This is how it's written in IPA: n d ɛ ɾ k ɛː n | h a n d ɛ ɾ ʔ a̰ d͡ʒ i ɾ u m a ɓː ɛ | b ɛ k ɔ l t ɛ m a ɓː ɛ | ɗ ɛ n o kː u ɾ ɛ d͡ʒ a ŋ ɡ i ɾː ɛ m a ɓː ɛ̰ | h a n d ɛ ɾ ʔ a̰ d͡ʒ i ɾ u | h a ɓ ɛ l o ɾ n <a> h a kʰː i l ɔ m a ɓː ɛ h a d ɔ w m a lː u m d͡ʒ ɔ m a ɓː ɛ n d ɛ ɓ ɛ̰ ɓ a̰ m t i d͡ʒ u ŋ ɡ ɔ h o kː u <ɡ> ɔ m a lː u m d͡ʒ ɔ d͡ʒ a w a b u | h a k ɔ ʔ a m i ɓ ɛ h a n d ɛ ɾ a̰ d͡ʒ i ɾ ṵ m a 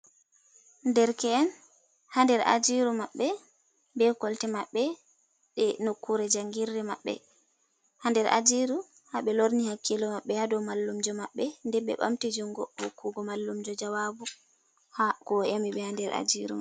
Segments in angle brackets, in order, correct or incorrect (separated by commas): incorrect, correct